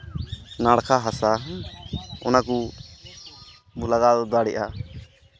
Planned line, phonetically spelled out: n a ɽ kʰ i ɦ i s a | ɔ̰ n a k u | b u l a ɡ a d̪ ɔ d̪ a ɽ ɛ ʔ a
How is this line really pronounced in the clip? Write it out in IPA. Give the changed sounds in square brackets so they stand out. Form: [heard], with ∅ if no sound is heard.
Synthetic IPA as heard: n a ɽ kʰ [a] ɦ [a] s a | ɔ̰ n a k u | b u l a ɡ a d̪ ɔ d̪ a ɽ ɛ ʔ a